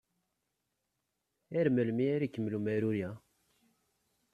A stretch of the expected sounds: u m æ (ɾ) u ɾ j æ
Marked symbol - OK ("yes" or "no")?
yes